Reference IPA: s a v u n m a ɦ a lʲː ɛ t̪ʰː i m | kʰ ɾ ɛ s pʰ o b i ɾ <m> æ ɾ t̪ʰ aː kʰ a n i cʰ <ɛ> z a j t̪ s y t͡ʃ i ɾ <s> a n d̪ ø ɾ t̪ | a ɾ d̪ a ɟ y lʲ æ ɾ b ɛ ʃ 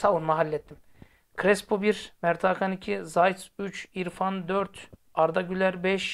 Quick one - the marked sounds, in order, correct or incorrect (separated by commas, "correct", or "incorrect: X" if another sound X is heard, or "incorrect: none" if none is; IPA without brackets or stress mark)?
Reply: correct, incorrect: i, incorrect: f